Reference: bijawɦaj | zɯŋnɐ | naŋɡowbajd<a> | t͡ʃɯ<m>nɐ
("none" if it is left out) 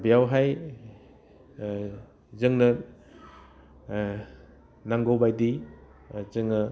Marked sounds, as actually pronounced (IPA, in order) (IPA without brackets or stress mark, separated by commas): i, ŋ